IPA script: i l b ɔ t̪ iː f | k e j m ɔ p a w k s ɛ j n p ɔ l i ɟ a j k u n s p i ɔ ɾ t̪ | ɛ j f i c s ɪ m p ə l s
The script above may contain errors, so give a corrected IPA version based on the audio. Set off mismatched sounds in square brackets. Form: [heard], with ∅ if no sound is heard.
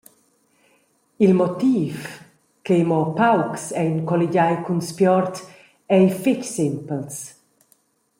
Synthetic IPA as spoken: i l [m] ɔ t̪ iː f | k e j m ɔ p a w k s ɛ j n [k] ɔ l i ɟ a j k u n s p [j] ɔ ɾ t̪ | ɛ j f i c s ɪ m p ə l s